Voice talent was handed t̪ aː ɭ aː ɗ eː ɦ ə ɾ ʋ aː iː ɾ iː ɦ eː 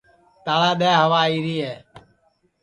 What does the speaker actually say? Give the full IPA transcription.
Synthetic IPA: t̪ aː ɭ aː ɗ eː ɦ ə ʋ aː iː ɾ iː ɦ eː

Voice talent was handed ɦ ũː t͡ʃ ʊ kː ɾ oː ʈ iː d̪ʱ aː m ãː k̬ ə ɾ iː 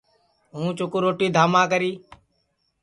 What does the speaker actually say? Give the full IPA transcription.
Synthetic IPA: ɦ ũː t͡ʃ ʊ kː ɾ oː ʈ iː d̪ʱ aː m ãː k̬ ə ɾ iː

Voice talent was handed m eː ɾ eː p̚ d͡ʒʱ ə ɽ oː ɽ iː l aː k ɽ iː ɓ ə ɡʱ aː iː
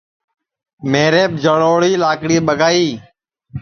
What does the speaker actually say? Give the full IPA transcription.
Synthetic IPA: m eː ɾ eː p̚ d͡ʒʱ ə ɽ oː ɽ iː l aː k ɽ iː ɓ ə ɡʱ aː iː

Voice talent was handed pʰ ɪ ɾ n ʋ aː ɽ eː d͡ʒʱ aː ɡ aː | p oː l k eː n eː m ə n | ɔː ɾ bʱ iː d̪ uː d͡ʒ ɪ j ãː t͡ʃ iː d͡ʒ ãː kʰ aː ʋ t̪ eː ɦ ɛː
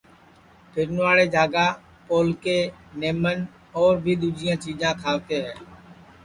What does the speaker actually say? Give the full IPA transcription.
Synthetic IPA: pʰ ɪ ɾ n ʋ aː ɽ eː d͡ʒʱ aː ɡ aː | p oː l k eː n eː m ə n | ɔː ɾ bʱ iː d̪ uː d͡ʒ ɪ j ãː t͡ʃ iː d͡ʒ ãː kʰ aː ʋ t̪ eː ɦ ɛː

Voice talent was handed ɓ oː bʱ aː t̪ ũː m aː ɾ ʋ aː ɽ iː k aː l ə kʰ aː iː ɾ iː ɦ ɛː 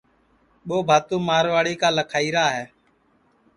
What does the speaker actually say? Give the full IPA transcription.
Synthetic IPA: ɓ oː bʱ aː t̪ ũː m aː ɾ ʋ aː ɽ iː k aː l ə kʰ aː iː ɾ aː ɦ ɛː

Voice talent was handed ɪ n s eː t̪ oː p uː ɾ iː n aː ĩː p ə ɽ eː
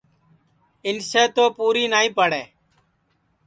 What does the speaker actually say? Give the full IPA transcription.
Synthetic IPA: ɪ n s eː t̪ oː p uː ɾ iː n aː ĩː p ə ɽ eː

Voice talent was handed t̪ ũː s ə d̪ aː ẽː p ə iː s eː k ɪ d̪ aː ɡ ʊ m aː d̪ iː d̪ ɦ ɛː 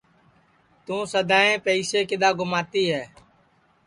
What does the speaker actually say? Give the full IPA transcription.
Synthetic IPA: t̪ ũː s ə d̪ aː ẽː p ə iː s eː k ɪ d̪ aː ɡ ʊ m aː t̪ iː ɦ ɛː

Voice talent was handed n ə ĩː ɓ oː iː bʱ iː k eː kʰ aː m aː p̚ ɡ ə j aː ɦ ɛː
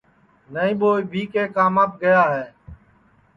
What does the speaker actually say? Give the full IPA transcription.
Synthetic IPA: n ə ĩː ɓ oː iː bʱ iː k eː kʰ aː m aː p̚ ɡ ə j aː ɦ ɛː

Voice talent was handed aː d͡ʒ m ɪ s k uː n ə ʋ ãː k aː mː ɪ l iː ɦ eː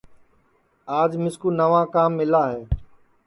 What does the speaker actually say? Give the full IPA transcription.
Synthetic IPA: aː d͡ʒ m ɪ s k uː n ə ʋ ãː k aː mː ɪ l aː ɦ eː

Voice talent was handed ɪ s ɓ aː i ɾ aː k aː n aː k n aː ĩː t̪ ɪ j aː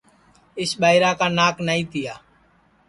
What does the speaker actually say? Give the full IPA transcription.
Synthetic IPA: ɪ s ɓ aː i ɾ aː k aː n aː k n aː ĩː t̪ ɪ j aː

